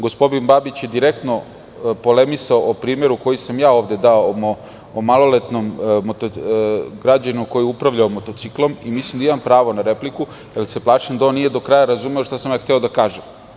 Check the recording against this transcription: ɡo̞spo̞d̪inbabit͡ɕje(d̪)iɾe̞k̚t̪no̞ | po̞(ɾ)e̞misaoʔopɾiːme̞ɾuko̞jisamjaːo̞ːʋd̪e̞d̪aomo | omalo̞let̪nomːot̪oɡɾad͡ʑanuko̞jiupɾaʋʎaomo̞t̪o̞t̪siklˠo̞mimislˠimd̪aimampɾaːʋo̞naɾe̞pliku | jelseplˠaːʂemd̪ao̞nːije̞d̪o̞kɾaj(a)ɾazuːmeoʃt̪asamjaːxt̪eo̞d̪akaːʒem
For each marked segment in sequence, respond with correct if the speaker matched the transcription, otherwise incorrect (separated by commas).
correct, incorrect, correct